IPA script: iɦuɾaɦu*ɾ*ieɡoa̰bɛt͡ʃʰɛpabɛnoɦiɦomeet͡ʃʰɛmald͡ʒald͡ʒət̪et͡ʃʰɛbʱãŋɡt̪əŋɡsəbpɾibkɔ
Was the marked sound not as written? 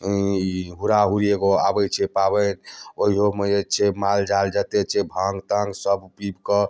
no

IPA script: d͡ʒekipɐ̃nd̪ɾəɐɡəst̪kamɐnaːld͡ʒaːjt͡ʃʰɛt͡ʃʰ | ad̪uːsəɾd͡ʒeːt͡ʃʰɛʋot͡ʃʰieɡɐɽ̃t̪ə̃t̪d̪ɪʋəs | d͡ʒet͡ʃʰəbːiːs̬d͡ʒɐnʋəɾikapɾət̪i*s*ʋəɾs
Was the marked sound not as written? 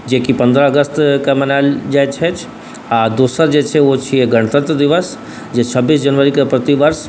yes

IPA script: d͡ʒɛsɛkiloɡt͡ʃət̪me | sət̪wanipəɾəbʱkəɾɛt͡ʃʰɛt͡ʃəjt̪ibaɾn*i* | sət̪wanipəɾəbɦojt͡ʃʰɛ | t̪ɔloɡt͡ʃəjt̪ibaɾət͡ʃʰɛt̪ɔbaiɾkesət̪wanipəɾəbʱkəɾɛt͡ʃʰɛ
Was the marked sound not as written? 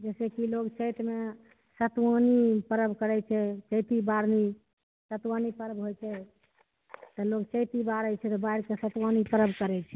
no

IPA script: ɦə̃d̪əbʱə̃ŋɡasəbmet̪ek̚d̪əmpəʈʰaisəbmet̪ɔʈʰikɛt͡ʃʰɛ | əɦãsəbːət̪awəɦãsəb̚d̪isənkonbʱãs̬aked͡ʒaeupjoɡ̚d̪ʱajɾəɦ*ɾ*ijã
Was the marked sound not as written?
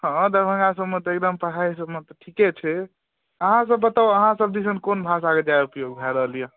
yes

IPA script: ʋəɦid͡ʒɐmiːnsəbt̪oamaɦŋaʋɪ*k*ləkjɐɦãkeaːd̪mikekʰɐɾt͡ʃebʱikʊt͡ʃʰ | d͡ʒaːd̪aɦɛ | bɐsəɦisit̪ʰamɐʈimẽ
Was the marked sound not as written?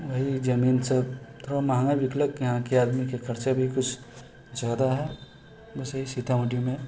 no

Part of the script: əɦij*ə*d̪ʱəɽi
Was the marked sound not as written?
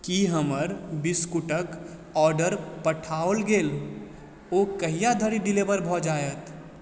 yes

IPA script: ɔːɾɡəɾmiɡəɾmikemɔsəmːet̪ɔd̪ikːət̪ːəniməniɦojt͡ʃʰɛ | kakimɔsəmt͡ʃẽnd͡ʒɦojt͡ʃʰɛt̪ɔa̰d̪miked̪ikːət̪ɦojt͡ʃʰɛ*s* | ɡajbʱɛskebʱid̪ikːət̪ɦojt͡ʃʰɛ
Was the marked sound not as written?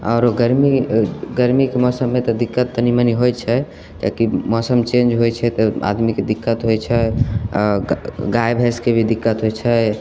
yes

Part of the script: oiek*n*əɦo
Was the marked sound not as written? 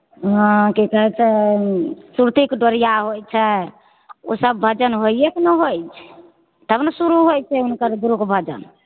no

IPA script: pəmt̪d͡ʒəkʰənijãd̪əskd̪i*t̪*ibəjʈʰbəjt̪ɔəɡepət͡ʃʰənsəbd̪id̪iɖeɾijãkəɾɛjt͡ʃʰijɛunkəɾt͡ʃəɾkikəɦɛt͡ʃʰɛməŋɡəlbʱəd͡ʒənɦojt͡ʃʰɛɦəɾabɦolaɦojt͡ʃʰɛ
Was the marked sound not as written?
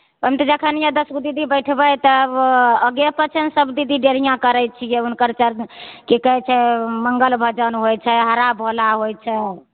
yes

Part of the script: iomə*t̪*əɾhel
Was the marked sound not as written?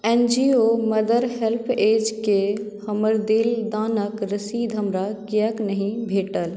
yes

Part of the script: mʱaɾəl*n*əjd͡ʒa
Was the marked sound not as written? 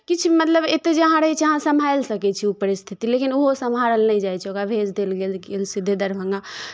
no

